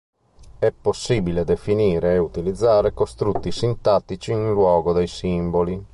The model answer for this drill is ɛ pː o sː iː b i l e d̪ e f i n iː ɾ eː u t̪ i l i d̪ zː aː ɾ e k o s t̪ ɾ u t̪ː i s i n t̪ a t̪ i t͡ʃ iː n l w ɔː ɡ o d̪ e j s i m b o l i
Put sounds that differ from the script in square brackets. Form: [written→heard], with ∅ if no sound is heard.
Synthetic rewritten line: ɛ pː o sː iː b i l e d̪ e f i n iː ɾ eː u t̪ i l i d̪ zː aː ɾ e k o s t̪ ɾ u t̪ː i s i n t̪ a t̪ i t͡ʃ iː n l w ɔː ɡ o d̪ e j s i m b o l i